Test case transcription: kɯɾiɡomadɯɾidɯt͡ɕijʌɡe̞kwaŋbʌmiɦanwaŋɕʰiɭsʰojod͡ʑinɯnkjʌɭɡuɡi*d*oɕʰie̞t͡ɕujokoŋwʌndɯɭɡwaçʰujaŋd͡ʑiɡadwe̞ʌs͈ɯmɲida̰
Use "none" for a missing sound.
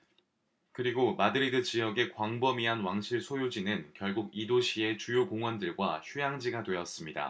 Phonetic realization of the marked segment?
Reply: d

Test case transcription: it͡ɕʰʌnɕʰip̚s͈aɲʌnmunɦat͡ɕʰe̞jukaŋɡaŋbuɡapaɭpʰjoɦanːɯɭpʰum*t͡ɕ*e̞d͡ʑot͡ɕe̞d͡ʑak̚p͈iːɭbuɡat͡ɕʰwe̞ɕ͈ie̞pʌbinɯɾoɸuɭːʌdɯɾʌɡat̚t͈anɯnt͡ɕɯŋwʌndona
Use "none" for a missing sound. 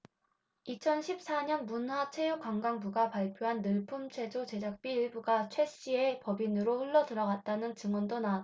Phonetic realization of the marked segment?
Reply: t͡ɕʰ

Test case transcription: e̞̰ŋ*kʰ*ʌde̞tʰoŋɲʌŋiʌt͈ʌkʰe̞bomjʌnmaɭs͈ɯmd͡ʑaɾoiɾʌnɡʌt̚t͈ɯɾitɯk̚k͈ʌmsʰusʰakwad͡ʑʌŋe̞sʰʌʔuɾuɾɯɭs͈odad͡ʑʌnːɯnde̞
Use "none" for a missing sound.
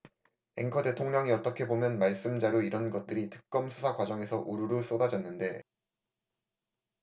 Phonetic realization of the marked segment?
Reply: kʰ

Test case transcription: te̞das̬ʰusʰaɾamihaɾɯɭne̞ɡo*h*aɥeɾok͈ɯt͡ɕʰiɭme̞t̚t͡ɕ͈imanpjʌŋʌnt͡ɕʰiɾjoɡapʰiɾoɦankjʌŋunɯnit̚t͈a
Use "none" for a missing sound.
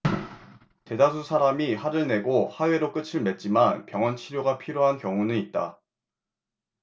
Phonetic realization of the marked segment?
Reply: h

